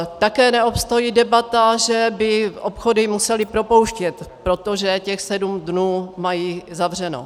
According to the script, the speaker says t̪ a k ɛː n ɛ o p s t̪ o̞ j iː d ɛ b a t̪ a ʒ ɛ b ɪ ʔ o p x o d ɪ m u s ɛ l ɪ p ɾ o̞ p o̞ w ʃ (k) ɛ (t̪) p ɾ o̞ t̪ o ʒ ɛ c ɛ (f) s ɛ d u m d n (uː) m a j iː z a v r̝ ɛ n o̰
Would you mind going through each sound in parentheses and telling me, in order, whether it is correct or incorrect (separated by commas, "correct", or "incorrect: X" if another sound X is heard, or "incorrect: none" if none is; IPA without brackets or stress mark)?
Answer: incorrect: c, correct, incorrect: x, correct